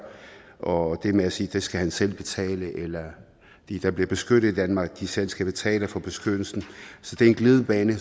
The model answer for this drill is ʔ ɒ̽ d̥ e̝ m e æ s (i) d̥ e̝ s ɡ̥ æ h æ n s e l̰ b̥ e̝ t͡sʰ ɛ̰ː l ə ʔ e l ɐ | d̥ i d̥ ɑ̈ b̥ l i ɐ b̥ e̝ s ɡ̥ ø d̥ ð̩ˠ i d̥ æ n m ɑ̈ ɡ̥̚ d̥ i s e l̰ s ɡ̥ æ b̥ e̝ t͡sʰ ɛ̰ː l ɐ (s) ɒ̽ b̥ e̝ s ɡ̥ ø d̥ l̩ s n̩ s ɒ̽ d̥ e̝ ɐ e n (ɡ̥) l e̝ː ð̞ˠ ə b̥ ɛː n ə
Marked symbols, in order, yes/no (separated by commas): no, no, yes